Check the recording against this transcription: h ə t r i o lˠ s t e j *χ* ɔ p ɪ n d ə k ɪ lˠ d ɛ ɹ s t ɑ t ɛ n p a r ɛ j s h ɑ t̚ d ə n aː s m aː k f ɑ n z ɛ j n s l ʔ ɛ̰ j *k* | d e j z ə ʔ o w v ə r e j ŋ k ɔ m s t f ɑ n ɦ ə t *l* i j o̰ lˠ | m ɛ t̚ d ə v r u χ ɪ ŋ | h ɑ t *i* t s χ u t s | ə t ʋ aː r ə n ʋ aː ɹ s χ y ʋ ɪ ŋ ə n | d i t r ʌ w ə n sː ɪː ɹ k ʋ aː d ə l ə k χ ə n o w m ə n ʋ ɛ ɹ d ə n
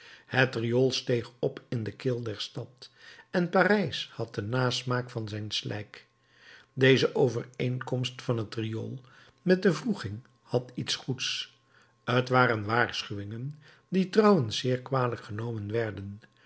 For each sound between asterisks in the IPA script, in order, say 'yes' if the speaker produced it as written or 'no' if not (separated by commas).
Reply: yes, yes, no, yes